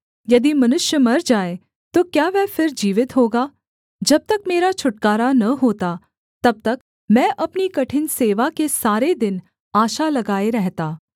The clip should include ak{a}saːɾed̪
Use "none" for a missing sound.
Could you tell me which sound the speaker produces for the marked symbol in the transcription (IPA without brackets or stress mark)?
e